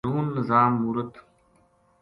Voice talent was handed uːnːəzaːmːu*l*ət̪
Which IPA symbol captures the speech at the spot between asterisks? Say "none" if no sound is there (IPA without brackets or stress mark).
ɾ